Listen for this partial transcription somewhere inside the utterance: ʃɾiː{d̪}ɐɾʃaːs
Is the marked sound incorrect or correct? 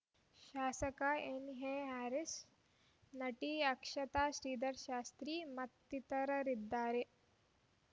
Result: correct